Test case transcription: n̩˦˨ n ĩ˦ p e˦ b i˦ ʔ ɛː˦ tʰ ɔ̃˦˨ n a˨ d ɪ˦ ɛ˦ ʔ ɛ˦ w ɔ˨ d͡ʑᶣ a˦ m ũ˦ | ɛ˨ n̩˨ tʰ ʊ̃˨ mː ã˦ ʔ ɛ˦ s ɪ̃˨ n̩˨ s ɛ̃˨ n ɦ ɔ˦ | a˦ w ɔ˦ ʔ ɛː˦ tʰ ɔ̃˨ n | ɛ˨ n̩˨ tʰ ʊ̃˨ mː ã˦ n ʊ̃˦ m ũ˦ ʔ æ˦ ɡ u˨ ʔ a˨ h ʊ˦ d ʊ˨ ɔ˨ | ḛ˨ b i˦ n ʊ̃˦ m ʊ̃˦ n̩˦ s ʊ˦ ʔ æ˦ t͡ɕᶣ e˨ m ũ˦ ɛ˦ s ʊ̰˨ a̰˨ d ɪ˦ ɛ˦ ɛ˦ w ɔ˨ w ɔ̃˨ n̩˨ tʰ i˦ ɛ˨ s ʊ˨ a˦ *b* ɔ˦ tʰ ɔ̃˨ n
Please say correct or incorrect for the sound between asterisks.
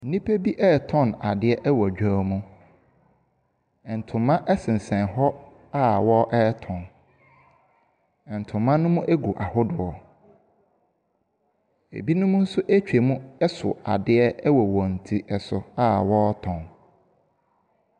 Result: incorrect